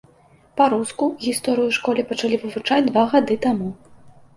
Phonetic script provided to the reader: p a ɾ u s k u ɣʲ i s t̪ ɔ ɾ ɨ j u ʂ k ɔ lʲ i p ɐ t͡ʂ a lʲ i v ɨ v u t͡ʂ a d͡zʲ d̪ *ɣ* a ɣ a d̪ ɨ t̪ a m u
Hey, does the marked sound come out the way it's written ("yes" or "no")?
no